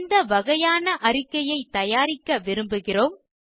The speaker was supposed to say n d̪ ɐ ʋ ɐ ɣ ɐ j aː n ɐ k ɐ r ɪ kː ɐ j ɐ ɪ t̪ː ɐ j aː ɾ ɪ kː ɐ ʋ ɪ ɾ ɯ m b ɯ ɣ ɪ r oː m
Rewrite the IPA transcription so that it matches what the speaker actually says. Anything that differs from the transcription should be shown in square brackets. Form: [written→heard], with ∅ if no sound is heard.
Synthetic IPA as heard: n d̪ ɐ ʋ ɐ ɣ ɐ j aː n ɐ [k→ʔ] ɐ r ɪ kː ɐ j ɐ ɪ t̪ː ɐ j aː ɾ ɪ kː ɐ ʋ ɪ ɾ ɯ m b ɯ ɣ ɪ r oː m